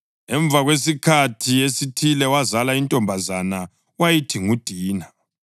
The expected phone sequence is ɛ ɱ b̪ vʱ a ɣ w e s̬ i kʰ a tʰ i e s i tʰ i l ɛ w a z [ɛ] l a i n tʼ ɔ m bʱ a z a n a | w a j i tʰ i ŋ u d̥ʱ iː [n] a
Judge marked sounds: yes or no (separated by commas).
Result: no, yes